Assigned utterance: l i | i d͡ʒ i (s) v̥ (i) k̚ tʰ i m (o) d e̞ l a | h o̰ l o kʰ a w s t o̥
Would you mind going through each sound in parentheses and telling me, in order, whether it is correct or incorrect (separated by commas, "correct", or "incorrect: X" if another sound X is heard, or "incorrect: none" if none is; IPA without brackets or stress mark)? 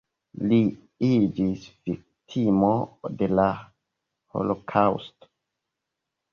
correct, correct, correct